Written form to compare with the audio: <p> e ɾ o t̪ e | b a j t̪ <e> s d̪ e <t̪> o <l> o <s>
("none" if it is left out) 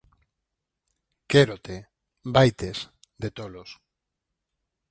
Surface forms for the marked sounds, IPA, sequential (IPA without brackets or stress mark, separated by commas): k, e, t̪, l, s